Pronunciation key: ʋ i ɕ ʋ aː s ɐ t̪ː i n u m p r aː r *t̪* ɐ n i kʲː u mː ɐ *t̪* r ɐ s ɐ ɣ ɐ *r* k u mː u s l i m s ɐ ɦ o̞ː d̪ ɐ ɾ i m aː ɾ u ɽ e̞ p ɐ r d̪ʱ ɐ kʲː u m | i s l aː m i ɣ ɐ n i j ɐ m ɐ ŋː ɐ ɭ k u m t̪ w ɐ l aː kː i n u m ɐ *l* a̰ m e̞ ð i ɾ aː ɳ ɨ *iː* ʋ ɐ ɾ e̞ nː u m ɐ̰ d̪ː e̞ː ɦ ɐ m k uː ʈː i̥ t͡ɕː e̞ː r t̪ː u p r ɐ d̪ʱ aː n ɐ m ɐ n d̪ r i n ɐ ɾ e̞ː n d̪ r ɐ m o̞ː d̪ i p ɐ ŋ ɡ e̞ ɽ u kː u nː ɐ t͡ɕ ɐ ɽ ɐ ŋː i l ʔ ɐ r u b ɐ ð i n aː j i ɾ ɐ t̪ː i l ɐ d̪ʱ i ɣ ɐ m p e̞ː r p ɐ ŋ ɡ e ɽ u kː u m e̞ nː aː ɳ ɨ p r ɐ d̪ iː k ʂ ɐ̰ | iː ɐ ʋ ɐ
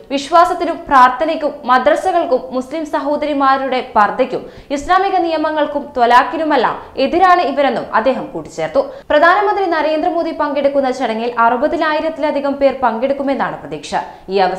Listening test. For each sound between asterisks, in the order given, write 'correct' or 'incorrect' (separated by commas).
incorrect, incorrect, incorrect, incorrect, incorrect